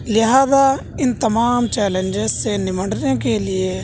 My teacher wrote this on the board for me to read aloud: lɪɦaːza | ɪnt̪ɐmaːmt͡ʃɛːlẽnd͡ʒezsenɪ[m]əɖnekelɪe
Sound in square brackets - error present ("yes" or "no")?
no